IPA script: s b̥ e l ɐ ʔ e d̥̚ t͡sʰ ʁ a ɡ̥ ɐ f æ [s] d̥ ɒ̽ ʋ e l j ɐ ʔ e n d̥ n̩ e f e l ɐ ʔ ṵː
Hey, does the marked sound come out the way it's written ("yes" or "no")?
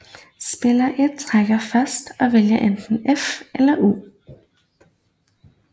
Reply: yes